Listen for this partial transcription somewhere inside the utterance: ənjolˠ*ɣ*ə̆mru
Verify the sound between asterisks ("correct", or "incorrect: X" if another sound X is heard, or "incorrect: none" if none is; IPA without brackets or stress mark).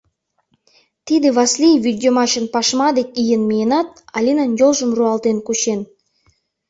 incorrect: ʒ